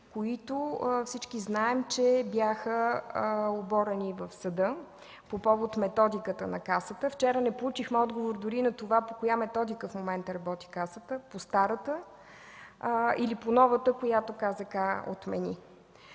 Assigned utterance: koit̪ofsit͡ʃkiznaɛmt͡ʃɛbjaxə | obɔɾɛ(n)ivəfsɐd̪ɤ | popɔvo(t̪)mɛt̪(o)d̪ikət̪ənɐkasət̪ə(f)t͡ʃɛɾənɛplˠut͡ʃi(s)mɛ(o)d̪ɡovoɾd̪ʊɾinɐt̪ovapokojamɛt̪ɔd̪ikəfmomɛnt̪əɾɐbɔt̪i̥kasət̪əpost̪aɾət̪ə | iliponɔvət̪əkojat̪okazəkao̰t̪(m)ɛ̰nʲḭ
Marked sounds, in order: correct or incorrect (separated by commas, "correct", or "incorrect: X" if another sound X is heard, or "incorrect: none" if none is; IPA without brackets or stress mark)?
correct, correct, incorrect: ɔ, correct, incorrect: x, incorrect: ɔ, correct